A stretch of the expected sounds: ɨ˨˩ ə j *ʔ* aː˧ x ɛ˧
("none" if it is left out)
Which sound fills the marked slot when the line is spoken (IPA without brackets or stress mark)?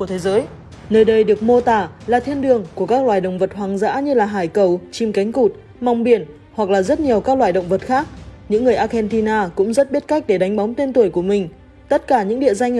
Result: ʔ